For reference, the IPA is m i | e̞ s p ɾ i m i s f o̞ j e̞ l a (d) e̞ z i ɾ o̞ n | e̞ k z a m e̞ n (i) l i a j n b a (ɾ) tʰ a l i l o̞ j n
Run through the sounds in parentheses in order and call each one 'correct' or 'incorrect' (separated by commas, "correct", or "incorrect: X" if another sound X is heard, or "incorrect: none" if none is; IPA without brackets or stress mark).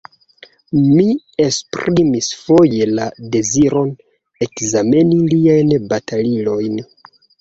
correct, correct, incorrect: none